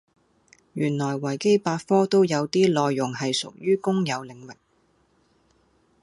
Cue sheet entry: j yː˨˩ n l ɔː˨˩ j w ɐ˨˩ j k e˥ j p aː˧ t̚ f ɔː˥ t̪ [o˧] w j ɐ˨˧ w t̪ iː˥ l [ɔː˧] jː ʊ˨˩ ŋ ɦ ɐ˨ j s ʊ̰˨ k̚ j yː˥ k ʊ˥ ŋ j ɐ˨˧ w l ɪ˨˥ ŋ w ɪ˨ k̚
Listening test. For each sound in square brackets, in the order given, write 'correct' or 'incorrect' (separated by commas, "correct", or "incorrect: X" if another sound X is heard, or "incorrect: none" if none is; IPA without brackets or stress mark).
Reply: incorrect: o˥, correct